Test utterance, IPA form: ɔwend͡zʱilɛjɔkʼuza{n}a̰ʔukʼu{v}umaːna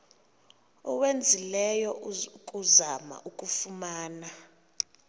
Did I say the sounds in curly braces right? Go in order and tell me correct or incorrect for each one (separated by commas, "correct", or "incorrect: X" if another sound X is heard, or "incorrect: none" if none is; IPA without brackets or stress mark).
incorrect: m, incorrect: f